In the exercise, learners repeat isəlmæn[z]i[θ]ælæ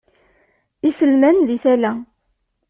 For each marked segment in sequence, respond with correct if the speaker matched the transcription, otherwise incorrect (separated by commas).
incorrect, correct